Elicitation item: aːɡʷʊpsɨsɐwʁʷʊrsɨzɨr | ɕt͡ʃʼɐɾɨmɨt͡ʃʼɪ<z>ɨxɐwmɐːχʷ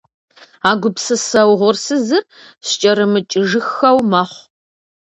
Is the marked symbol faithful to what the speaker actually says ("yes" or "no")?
no